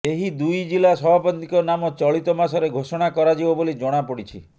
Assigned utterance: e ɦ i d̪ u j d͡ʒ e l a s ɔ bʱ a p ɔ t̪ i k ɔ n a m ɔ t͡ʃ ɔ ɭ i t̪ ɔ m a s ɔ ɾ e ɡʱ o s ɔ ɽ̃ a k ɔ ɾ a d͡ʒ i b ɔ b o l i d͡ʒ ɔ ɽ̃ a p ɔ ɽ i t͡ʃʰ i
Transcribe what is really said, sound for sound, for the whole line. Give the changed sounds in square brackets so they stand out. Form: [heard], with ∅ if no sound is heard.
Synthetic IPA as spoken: e ɦ i d̪ u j d͡ʒ [i] l a s ɔ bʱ a p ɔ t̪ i k ɔ n a m ɔ t͡ʃ ɔ ɭ i t̪ ɔ m a s ɔ ɾ e ɡʱ o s ɔ ɽ̃ a k ɔ ɾ a d͡ʒ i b ɔ b o l i d͡ʒ ɔ ɽ̃ a p ɔ ɽ i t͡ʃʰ i

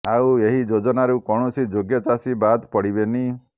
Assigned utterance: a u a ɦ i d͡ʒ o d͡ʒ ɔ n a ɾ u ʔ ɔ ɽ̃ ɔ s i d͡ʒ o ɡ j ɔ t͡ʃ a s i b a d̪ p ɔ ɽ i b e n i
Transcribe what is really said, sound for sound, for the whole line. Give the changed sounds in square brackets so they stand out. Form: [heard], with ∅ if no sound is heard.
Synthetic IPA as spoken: a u [e] ɦ i d͡ʒ o d͡ʒ ɔ n a ɾ u [k] ɔ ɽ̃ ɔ s i d͡ʒ o ɡ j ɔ t͡ʃ a s i b a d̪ p ɔ ɽ i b e n i

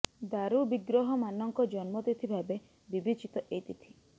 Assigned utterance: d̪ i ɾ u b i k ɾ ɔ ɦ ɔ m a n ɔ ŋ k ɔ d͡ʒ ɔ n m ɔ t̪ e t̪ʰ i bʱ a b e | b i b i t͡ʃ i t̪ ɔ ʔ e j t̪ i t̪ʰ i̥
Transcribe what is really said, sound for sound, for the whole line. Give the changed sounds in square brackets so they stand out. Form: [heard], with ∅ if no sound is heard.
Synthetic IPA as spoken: d̪ [a] ɾ u b i [ɡ] ɾ ɔ ɦ ɔ m a n ɔ ŋ k ɔ d͡ʒ ɔ n m ɔ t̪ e t̪ʰ i bʱ a b e | b i b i t͡ʃ i t̪ ɔ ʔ e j t̪ i t̪ʰ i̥

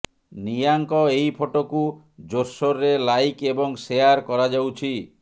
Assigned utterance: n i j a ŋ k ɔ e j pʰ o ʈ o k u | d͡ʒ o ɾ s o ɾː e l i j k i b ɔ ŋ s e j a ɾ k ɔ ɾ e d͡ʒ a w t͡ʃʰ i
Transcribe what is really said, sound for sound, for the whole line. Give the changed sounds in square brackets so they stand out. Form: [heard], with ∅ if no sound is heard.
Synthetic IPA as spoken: n i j a ŋ k ɔ e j pʰ o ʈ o k u | d͡ʒ o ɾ s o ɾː e l [a] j k [e] b ɔ ŋ s e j a ɾ k ɔ ɾ [a] d͡ʒ a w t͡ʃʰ i

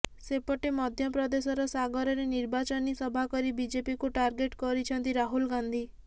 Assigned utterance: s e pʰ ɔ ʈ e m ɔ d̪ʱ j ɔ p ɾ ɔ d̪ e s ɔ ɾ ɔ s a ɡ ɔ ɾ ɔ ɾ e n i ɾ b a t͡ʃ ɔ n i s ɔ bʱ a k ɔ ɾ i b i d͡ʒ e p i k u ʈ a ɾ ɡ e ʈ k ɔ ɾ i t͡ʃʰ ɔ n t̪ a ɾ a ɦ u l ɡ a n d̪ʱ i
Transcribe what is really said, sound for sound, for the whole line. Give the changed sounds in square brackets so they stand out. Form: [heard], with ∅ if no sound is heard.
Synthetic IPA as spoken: s e [p] ɔ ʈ e m ɔ d̪ʱ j ɔ p ɾ ɔ d̪ e s ɔ ɾ ɔ s a ɡ ɔ ɾ ɔ ɾ e n i ɾ b a t͡ʃ ɔ n i s ɔ bʱ a k ɔ ɾ i b i d͡ʒ e p i k u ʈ a ɾ ɡ e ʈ k ɔ ɾ i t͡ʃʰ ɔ n t̪ [i] ɾ a ɦ u l ɡ a n d̪ʱ i

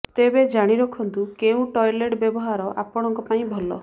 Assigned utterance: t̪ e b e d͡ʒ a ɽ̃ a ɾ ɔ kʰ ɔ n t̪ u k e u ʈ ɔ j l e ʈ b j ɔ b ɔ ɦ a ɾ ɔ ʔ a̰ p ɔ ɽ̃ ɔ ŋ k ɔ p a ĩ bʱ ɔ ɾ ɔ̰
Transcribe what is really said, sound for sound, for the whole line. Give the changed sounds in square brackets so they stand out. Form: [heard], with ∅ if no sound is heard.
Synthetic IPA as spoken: t̪ e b e d͡ʒ a ɽ̃ [i] ɾ ɔ kʰ ɔ n t̪ u k e [ũ] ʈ ɔ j l e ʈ b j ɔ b ɔ ɦ a ɾ ɔ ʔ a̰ p ɔ ɽ̃ ɔ ŋ k ɔ p a ĩ bʱ ɔ [l] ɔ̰

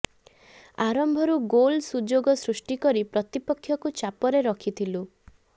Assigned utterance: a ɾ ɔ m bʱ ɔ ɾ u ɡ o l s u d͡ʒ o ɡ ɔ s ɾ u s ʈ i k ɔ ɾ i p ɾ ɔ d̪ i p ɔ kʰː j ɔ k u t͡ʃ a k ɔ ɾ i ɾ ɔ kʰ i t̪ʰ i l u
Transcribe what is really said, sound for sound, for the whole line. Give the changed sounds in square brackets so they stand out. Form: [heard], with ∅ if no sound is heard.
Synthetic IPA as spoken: a ɾ ɔ m bʱ ɔ ɾ u ɡ o l s u d͡ʒ o ɡ ɔ s ɾ u s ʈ i k ɔ ɾ i p ɾ ɔ [t̪] i p ɔ kʰː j ɔ k u t͡ʃ a [p] ɔ ɾ [e] ɾ ɔ kʰ i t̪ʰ i l u

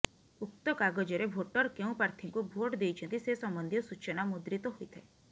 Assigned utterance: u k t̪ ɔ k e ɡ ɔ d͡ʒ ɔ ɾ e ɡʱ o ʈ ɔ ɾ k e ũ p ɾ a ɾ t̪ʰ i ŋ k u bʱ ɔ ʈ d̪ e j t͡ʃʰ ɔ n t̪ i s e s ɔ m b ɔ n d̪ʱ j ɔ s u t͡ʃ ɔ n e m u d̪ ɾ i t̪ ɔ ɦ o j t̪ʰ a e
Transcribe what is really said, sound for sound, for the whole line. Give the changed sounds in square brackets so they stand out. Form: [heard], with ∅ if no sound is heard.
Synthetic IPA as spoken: u k t̪ ɔ k [a] ɡ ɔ d͡ʒ ɔ ɾ e [bʱ] o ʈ ɔ ɾ k e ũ p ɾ a ɾ t̪ʰ i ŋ k u bʱ [o] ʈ d̪ e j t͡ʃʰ ɔ n t̪ i s e s ɔ m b ɔ n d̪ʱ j ɔ s u t͡ʃ ɔ n [a] m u d̪ ɾ i t̪ ɔ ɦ o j t̪ʰ a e

